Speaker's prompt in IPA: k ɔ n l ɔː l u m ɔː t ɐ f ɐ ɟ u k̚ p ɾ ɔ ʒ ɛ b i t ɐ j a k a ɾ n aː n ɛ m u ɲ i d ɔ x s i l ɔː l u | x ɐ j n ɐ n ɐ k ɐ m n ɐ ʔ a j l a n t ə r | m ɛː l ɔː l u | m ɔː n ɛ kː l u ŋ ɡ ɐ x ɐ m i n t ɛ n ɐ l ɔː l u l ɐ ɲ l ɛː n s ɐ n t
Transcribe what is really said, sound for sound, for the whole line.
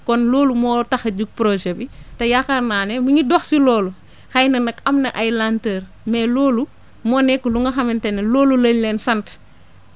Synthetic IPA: k ɔ n l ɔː l u m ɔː t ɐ x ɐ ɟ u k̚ p ɾ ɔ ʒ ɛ b i t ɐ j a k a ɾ n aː n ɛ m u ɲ i d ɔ x s i l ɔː l u | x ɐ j n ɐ n ɐ k ɐ m n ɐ ʔ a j l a n t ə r | m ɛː l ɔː l u | m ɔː n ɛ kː l u ŋ ɡ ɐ x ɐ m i n t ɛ n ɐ l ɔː l u l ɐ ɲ l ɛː n s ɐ n t